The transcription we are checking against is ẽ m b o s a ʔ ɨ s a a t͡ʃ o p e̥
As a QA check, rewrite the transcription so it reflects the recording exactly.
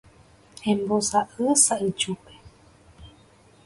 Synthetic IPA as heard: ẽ m b o s a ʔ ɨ s a i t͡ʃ u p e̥